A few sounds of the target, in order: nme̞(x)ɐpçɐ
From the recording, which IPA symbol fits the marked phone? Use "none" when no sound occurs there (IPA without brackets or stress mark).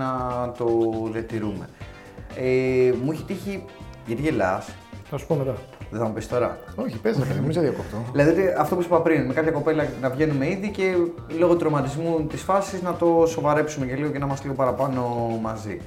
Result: k